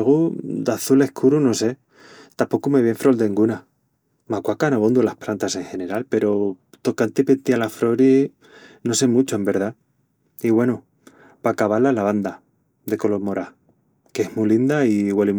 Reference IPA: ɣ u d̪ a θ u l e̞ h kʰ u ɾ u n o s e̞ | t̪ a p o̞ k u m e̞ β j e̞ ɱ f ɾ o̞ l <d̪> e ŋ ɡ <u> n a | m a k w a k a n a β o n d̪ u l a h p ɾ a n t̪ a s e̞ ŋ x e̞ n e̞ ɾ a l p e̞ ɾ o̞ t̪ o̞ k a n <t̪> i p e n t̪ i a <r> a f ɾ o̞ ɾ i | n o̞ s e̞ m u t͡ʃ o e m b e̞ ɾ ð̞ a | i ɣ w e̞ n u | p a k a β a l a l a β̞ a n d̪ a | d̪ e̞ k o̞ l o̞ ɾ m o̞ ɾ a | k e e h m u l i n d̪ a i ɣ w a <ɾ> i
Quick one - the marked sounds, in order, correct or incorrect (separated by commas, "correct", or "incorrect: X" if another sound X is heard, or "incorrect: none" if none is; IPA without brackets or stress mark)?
correct, correct, correct, incorrect: l, incorrect: l